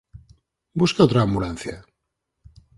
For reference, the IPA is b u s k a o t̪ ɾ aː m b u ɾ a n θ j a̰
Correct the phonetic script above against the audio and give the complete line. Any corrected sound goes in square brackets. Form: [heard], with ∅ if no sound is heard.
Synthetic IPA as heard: b u s k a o t̪ ɾ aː m b u [l] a n θ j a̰